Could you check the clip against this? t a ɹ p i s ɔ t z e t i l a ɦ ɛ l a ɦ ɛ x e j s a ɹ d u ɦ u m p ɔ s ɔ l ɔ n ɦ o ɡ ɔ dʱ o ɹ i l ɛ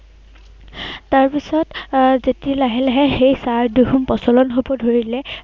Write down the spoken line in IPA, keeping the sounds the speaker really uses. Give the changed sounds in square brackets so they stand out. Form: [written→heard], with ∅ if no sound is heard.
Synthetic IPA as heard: t a ɹ p i s ɔ t z e t i l a ɦ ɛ l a ɦ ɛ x e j s a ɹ d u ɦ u m p ɔ s ɔ l ɔ n ɦ o [ɡ→b] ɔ dʱ o ɹ i l ɛ